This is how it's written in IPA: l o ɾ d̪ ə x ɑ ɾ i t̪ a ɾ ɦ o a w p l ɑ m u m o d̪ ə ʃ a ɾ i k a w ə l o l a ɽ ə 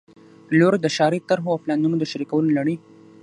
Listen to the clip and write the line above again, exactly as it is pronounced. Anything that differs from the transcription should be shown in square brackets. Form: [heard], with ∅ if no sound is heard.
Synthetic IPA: l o ɾ d̪ ə [ʃ] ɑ ɾ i t̪ a ɾ ɦ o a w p l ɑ [n] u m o d̪ ə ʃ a ɾ i k a w ə l o l a ɽ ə